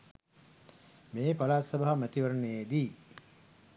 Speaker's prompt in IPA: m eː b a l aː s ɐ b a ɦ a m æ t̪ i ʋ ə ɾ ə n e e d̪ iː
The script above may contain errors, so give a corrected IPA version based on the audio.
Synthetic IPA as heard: m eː p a l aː s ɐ b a ɦ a m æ t̪ i ʋ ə ɾ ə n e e d̪ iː